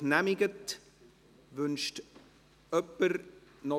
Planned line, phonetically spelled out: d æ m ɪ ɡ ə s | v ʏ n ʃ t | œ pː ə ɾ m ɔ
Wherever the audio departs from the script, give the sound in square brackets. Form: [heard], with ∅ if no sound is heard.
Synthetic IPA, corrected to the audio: [n] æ m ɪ ɡ ə [t] | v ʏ n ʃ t | œ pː ə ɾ [n] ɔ

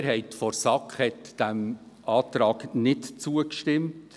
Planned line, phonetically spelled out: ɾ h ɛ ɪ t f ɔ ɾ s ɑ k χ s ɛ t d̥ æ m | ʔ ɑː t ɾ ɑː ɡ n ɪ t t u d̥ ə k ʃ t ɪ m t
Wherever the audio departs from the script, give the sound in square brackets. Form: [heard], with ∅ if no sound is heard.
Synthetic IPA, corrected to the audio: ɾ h ɛ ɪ t f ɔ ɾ s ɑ k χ [h] ɛ t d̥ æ m | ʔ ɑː t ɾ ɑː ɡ n ɪ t [t͡s] u [∅] ə k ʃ t ɪ m t

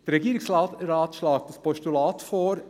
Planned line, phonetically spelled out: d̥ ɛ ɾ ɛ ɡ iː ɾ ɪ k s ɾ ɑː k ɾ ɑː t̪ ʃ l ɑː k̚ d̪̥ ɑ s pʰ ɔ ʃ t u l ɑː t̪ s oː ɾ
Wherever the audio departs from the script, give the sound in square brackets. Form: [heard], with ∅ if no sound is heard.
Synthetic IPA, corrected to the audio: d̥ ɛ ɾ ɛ ɡ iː ɾ ɪ k s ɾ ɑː [t] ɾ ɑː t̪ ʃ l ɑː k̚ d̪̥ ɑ s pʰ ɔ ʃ t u l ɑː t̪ [f] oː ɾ

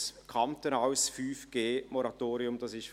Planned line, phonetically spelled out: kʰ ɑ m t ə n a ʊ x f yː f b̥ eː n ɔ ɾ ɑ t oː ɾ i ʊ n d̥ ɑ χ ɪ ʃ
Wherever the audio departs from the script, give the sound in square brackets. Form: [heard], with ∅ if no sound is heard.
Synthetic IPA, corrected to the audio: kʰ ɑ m t ə n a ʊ [s] f yː f [ɡ̥] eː [m] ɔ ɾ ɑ t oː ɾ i ʊ [m] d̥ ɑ [s] ɪ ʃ

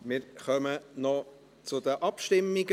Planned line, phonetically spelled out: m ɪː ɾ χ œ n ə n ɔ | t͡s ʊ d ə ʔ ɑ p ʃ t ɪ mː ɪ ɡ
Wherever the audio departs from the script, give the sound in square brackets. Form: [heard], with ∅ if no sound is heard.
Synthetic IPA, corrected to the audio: m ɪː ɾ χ œ [m] ə n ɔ | t͡s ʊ d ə ʔ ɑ p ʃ t ɪ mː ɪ ɡ

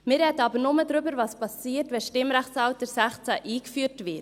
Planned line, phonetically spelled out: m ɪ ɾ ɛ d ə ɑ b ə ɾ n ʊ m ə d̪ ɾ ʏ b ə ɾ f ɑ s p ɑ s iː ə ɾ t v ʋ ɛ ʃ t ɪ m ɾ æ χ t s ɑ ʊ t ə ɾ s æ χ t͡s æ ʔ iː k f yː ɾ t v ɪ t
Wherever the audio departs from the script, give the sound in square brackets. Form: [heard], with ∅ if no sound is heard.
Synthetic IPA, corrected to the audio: m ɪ ɾ ɛ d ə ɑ b ə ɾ n ʊ m ə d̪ ɾ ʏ b ə ɾ [v] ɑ s p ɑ s iː ə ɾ t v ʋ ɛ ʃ t ɪ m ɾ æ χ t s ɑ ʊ t ə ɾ s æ χ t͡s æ ʔ iː k f yː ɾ t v ɪ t

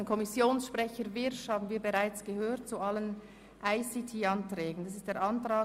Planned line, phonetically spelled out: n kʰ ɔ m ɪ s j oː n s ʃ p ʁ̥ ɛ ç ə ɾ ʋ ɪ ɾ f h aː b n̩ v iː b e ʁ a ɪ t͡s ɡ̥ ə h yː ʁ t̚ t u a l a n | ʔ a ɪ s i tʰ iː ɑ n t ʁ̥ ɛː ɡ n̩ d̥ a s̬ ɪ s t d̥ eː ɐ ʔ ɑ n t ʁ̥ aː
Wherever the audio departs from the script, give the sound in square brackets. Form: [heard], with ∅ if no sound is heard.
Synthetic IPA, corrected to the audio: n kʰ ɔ m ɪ s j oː n s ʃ p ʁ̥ ɛ ç ə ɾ [v] ɪ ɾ [ʃ] h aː b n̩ v iː b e ʁ a ɪ t͡s ɡ̥ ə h [øː] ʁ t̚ [t͡s] u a l [ə] n | ʔ a ɪ s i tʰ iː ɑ n t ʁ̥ ɛː ɡ n̩ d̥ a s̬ ɪ s t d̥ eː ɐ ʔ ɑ n t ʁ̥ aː

